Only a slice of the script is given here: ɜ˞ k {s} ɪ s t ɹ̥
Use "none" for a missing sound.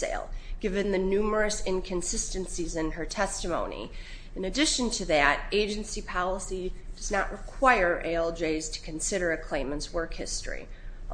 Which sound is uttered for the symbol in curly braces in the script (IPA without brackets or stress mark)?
h